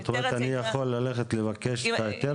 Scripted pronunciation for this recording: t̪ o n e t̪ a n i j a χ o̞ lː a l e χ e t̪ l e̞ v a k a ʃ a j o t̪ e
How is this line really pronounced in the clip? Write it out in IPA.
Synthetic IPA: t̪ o m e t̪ a n i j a χ o̞ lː a l e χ e t̪ l e̞ v a k e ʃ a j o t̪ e